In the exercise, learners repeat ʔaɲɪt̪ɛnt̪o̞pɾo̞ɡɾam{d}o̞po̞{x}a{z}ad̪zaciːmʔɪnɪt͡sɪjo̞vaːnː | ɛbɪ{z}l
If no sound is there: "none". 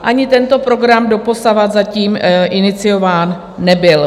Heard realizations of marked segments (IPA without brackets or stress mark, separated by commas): d, s, v, none